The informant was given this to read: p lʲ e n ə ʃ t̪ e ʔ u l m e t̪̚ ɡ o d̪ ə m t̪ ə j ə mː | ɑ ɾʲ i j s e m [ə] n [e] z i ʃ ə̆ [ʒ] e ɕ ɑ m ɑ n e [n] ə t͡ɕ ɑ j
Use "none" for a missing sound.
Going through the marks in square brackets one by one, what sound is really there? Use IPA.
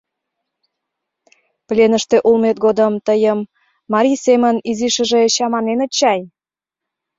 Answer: ə, i, ʒ, n

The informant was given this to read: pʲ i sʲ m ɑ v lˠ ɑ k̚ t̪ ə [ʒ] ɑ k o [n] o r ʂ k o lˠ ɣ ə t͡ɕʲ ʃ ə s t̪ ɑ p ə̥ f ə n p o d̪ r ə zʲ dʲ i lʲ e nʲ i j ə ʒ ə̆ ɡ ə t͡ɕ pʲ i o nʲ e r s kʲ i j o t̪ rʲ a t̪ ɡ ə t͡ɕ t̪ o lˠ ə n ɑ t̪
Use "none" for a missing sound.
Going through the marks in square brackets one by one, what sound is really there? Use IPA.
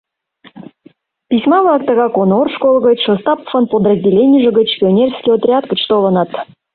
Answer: ɣ, n

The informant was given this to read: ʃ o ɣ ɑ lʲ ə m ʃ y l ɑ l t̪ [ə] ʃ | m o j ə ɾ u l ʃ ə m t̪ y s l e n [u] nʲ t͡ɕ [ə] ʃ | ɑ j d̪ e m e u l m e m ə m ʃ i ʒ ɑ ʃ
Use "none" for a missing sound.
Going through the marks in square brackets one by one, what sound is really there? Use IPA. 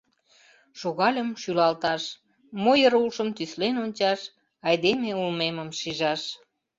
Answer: ɑ, o, ɑ

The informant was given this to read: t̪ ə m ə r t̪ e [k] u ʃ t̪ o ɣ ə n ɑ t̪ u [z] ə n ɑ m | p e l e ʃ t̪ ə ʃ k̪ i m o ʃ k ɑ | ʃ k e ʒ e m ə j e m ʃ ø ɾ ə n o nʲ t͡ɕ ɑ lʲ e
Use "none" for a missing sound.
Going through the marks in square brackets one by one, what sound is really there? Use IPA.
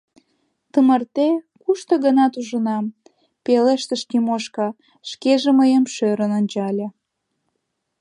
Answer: k, ʒ

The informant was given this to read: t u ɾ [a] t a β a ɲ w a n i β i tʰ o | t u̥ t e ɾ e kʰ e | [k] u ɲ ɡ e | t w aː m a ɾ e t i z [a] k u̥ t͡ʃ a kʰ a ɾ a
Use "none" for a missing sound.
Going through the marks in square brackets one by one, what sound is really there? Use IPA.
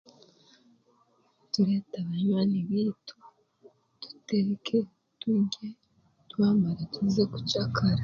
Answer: e, t, e

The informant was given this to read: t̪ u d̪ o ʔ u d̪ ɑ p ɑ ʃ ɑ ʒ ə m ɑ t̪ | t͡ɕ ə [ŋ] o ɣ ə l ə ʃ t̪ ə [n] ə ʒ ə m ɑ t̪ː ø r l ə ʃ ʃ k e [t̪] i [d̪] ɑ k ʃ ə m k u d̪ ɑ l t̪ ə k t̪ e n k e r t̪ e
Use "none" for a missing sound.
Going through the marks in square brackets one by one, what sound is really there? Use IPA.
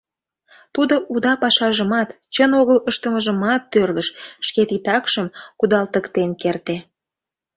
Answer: n, m, t̪, t̪

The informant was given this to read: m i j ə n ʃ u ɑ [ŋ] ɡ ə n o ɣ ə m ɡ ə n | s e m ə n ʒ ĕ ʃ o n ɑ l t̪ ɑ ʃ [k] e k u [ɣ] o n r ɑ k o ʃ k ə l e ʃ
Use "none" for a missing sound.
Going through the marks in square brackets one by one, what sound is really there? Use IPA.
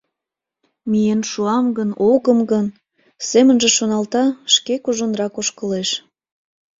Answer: m, k, ʒ

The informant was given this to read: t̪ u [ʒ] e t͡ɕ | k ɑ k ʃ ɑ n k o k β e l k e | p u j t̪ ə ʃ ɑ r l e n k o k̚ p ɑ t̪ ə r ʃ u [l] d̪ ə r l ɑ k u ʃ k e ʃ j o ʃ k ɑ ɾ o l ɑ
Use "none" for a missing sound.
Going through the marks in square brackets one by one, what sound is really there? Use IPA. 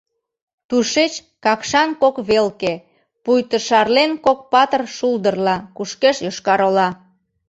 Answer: ʃ, l

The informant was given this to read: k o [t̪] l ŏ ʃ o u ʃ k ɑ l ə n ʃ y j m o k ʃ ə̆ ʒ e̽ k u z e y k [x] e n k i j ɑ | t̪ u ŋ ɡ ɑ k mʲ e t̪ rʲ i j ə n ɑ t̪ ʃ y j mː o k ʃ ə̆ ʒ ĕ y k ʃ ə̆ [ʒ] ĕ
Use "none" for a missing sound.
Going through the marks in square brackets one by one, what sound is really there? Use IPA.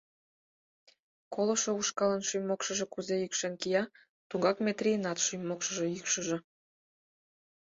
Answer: none, ʃ, ʒ

